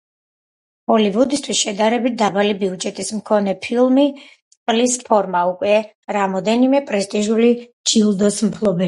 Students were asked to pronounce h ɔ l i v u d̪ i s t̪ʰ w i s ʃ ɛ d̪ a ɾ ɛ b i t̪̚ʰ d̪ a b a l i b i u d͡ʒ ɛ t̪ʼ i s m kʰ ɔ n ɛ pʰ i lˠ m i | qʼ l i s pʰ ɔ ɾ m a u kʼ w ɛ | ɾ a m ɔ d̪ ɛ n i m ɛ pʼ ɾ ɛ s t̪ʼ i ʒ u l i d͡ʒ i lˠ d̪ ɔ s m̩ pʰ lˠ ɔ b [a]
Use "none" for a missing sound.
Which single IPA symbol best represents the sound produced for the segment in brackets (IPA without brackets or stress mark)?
ɛ